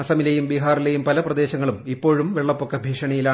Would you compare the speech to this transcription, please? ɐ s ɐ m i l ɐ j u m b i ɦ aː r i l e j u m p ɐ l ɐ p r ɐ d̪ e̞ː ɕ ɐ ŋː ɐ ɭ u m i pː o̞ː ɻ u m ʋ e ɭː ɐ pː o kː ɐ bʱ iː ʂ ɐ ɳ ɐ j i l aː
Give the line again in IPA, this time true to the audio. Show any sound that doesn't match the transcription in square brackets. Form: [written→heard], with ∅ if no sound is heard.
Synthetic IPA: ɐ s ɐ m i l ɐ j u m b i ɦ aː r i l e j u m p ɐ l ɐ p r ɐ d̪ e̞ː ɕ ɐ ŋː ɐ ɭ u m i pː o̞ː ɻ u m ʋ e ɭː ɐ pː o kː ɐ bʱ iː ʂ ɐ ɳ ɐ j i l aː